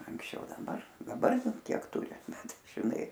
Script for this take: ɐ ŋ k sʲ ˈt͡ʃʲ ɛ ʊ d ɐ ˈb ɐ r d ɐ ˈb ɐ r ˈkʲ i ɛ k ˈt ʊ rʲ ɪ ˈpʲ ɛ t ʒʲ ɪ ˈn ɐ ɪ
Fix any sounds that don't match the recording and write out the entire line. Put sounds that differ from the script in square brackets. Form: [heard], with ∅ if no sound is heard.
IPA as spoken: ɐ ŋ k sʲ ˈt͡ʃʲ ɛ ʊ d ɐ ˈb ɐ r d ɐ ˈb ɐ r ˈkʲ i ɛ k ˈt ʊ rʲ ɪ [ˈbʲ] ɛ t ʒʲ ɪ ˈn ɐ ɪ

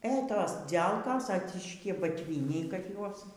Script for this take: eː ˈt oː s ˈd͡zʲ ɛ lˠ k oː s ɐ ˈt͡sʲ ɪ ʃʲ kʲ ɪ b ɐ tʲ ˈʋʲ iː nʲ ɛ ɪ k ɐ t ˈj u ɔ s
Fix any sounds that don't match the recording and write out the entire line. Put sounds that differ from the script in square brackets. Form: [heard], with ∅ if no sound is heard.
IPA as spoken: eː ˈt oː s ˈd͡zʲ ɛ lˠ k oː s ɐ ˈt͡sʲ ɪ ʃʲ kʲ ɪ b ɐ tʲ ˈʋʲ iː nʲ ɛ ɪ k ɐ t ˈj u ɔ s

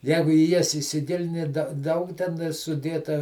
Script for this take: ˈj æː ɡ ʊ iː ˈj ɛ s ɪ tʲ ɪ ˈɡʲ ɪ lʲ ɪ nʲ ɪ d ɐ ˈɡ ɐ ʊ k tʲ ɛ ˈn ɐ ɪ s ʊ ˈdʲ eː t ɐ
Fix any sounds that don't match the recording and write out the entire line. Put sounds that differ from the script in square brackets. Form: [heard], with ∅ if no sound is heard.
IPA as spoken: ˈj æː ɡ ʊ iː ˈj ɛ s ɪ [sʲ] ɪ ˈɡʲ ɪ lʲ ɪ nʲ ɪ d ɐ [ˈd] ɐ ʊ k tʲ ɛ ˈn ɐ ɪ s ʊ ˈdʲ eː t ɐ

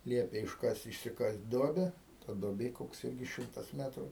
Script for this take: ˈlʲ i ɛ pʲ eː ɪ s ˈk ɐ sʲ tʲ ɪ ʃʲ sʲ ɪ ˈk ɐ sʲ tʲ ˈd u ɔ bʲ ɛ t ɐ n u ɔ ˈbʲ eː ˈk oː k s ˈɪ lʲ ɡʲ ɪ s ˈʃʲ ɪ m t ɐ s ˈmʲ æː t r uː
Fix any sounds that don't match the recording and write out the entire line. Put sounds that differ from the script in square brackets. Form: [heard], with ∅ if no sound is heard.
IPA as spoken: ˈlʲ i ɛ pʲ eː ɪ [ʃ] ˈk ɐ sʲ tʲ ɪ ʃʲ sʲ ɪ ˈk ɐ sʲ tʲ ˈd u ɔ bʲ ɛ t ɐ [d] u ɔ ˈbʲ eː ˈk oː k s ˈɪ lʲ ɡʲ ɪ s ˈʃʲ ɪ m t ɐ s ˈmʲ æː t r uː

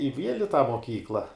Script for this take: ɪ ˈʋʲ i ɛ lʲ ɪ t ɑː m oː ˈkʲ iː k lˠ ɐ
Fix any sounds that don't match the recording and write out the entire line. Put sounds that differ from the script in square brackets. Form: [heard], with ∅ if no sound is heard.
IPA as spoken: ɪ ˈʋʲ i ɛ lʲ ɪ t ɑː m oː ˈkʲ iː k lˠ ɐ

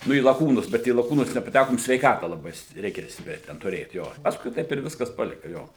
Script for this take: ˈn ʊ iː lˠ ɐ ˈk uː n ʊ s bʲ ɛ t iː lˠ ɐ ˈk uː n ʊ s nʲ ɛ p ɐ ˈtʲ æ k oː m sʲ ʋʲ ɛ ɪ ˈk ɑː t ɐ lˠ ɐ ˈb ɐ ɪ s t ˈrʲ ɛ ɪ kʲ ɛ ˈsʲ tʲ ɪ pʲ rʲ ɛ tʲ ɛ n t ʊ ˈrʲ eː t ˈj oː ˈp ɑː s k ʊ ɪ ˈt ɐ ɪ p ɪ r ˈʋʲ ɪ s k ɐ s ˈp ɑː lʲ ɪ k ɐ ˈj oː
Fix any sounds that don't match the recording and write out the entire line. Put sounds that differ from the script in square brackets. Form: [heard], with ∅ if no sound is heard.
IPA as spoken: ˈn ʊ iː lˠ ɐ ˈk uː n ʊ s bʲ ɛ t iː lˠ ɐ ˈk uː n ʊ s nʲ ɛ p ɐ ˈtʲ æ k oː m sʲ ʋʲ ɛ ɪ ˈk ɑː t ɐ lˠ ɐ ˈb ɐ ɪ s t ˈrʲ ɛ ɪ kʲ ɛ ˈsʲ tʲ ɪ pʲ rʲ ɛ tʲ ɛ n t ʊ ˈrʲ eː t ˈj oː ˈp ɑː s k ʊ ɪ ˈt ɐ ɪ p ɪ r ˈʋʲ ɪ s k ɐ s ˈp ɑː lʲ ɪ k ɐ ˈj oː

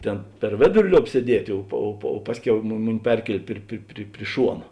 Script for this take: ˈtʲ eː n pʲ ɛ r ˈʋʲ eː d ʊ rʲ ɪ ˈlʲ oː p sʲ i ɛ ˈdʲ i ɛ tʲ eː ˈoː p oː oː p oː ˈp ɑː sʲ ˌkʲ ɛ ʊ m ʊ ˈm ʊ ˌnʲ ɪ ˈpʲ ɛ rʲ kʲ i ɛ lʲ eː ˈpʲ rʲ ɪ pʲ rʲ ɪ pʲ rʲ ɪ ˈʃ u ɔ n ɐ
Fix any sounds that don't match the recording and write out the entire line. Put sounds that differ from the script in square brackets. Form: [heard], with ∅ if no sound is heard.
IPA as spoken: ˈtʲ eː n pʲ ɛ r ˈʋʲ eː d ʊ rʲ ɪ ˈlʲ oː p sʲ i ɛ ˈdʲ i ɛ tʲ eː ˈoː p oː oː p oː ˈp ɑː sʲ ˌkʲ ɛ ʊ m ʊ ˈm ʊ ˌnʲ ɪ ˈpʲ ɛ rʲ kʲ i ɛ lʲ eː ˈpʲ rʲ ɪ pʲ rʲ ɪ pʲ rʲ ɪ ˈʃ u ɔ n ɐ

